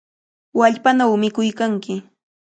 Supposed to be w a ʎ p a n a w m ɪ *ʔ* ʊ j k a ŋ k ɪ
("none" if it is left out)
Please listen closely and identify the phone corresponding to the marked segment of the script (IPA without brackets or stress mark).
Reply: k